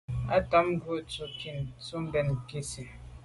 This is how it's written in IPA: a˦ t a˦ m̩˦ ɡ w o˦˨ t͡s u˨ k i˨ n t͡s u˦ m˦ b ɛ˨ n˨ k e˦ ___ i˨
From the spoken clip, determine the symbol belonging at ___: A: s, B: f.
A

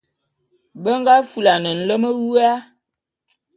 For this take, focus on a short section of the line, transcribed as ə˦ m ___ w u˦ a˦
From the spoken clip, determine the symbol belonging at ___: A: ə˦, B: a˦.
A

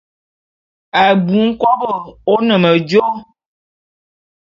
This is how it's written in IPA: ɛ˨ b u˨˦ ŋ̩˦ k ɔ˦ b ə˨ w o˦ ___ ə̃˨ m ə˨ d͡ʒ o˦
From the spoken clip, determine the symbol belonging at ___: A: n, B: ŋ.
A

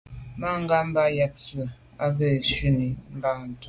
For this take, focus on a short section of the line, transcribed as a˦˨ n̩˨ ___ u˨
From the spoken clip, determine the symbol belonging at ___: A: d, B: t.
B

